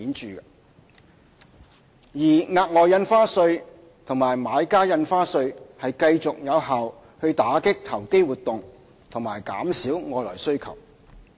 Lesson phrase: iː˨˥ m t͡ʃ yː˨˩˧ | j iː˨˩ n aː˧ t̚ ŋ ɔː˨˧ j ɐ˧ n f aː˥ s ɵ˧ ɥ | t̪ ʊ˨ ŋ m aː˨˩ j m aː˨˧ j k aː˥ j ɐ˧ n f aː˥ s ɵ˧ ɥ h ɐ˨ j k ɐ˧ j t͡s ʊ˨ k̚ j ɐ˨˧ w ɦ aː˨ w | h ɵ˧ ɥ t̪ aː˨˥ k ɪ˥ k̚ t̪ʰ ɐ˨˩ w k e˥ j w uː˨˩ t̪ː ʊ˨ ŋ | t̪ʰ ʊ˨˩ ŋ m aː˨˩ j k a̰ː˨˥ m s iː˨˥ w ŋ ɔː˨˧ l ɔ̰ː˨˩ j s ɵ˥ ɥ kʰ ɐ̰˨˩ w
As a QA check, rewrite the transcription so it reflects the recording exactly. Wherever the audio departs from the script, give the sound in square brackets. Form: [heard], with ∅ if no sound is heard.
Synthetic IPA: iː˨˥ [n] t͡ʃ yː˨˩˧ | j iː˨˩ [ŋ] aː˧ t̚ ŋ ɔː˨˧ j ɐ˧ n f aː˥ s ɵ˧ ɥ | [t̪ʰ] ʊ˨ ŋ m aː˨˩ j m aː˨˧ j k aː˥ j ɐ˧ n f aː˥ s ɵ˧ ɥ h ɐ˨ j k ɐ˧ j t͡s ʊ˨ k̚ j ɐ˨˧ w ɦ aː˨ w | h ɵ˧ ɥ t̪ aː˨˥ k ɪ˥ k̚ t̪ʰ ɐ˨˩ w k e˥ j w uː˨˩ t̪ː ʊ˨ ŋ | t̪ʰ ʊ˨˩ ŋ m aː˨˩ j k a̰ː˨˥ m s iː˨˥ w ŋ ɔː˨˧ l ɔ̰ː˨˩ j s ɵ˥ ɥ kʰ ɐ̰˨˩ w